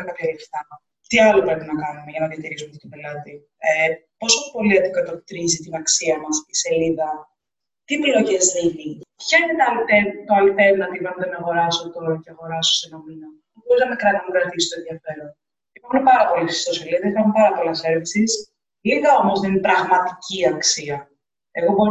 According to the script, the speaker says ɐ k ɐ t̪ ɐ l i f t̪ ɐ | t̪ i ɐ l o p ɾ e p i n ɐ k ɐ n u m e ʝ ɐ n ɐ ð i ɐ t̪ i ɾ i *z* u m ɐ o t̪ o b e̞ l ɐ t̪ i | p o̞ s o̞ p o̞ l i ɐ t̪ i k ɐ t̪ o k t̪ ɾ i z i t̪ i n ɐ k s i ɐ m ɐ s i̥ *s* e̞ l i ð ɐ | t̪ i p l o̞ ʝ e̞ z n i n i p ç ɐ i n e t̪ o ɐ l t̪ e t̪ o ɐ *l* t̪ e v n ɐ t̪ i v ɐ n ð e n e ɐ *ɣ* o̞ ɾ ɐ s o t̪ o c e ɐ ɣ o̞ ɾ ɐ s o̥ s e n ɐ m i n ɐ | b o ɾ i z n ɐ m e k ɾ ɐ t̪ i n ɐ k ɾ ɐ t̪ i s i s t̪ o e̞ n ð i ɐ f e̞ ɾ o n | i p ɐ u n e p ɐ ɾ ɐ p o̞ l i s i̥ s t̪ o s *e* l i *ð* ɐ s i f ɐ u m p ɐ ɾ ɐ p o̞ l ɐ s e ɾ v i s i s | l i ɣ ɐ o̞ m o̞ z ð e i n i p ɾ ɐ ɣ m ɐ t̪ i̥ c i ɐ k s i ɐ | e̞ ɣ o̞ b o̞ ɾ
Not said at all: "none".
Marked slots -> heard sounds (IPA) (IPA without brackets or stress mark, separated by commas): s, s, l, ɣ, e, ð